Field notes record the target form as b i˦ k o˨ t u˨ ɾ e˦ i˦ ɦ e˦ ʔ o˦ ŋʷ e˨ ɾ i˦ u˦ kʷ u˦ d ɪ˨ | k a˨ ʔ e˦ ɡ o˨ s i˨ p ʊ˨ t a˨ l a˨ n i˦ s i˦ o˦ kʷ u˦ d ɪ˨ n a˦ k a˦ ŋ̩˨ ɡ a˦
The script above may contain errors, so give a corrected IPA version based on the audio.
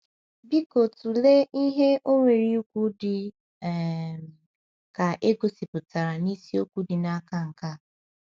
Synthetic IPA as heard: b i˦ k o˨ t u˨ l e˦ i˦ ɦ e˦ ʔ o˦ ŋʷ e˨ ɾ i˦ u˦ kʷ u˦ d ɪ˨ | k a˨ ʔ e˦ ɡ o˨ s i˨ p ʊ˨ t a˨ ɾ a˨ n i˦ s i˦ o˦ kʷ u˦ d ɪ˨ n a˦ k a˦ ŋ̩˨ k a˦

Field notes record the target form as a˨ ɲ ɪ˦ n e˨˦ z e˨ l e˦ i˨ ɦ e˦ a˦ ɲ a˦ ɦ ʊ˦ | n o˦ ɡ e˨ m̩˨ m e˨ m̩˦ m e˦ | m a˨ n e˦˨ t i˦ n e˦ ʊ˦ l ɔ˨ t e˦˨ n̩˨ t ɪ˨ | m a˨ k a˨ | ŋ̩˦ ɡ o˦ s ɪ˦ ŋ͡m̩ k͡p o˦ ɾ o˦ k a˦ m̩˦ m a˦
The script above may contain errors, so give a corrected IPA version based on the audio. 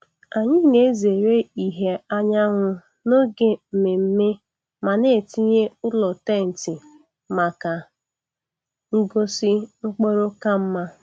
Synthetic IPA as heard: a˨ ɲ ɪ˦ n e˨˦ z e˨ ɾ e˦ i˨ ɦ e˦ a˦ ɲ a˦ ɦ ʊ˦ | n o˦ ɡ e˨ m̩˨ m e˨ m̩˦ m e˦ | m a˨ n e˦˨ t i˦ ɲ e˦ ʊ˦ l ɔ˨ t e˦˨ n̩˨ t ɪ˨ | m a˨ k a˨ | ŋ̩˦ ɡ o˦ s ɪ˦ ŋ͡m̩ k͡p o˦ ɾ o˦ k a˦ m̩˦ m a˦

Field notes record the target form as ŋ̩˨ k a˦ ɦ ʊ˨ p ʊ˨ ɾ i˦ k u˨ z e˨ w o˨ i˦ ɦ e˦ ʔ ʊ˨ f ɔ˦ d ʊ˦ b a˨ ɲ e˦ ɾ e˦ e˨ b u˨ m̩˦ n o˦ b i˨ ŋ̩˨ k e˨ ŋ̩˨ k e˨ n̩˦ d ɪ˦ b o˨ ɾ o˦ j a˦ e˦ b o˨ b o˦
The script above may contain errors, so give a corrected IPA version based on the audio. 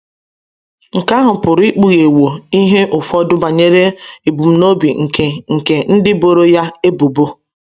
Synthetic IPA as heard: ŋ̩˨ k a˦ ɦ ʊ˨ p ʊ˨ ɾ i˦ k͡p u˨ ɣ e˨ w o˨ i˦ ɦ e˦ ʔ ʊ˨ f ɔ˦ d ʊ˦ b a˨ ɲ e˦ ɾ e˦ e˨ b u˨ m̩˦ n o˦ b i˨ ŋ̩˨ k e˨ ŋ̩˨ k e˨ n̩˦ d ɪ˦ b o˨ ɾ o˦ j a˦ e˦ b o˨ b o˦

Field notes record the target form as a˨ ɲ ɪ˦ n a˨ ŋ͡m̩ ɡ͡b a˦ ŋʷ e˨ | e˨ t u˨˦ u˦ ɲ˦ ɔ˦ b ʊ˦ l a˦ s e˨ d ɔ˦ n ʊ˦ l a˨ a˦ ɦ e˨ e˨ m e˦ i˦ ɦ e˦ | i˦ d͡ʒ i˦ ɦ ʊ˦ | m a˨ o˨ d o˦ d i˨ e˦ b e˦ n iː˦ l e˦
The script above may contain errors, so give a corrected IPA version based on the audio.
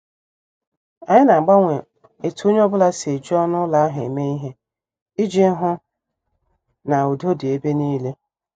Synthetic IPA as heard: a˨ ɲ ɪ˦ n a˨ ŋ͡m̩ ɡ͡b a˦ ŋʷ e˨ | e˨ t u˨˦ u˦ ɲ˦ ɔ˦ b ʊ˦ l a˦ s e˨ d͡ʒ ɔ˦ n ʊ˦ l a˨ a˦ ɦ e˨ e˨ m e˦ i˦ ɦ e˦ | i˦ d͡ʒ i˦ ɦ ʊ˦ | n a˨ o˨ d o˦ d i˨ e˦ b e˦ n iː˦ l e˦

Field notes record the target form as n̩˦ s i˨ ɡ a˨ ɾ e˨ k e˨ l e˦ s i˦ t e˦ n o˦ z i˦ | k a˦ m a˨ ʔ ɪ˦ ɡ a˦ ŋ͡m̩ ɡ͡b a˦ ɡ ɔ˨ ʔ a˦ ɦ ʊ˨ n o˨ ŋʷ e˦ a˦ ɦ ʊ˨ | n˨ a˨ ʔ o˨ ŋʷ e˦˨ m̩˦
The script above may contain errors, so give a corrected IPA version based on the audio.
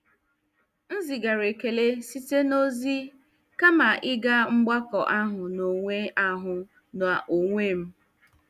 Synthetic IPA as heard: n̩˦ z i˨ ɡ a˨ ɾ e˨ k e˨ l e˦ s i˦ t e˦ n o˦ z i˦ | k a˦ m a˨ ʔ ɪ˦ ɡ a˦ ŋ͡m̩ ɡ͡b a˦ k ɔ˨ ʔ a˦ ɦ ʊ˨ n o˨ ŋʷ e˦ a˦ ɦ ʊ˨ | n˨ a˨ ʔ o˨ ŋʷ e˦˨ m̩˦

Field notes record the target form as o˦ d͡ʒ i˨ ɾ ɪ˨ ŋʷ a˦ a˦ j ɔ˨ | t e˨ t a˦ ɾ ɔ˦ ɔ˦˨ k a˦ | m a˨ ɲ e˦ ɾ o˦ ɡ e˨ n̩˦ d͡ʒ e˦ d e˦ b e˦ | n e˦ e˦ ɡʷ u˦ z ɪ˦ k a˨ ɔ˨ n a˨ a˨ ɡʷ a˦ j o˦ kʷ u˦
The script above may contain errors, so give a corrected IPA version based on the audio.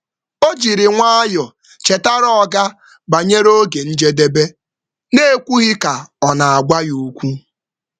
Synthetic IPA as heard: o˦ d͡ʒ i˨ ɾ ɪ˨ ŋʷ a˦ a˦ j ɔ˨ | t͡ʃ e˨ t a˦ ɾ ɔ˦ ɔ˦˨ ɡ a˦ | b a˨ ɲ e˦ ɾ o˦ ɡ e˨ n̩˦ d͡ʒ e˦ d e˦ b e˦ | n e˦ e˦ kʷ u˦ ɣ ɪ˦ k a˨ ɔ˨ n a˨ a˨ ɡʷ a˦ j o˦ kʷ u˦

